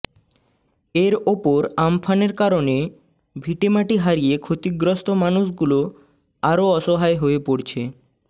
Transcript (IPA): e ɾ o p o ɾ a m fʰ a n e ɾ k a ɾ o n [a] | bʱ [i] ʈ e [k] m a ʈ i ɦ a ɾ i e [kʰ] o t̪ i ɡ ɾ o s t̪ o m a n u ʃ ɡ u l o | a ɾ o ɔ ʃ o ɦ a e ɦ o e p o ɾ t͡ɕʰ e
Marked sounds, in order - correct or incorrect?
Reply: incorrect: e, correct, incorrect: none, correct

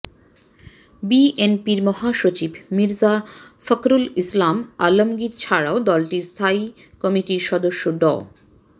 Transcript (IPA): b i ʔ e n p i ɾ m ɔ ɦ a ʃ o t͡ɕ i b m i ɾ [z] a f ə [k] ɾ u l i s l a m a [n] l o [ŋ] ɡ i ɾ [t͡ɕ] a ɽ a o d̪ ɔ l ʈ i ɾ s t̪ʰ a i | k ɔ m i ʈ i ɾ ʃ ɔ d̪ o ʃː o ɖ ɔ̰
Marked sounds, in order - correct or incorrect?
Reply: correct, correct, incorrect: none, incorrect: m, incorrect: t͡ɕʰ

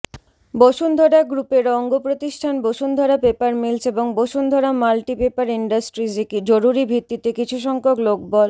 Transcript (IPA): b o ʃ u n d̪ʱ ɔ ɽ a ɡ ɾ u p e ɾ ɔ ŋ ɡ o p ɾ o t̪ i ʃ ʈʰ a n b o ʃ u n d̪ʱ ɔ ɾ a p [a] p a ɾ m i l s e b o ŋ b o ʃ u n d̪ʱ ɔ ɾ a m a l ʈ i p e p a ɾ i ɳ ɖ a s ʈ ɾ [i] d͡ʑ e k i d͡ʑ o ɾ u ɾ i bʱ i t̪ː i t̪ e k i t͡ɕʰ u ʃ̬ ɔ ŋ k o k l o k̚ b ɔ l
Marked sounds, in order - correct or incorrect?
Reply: incorrect: e, correct

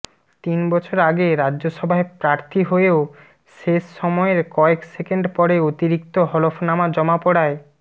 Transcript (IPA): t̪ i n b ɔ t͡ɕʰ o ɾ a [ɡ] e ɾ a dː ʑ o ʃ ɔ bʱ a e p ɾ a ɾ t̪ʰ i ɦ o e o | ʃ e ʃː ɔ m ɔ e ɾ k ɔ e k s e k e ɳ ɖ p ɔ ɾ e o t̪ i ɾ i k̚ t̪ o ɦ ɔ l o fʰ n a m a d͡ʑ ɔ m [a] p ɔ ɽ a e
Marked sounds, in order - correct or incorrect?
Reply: correct, correct

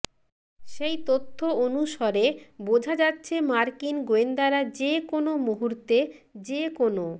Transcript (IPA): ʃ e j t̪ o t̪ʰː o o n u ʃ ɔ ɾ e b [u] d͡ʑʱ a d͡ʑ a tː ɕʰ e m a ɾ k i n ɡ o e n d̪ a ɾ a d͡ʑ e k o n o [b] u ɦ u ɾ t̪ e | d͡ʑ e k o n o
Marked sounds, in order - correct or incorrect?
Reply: incorrect: o, incorrect: m

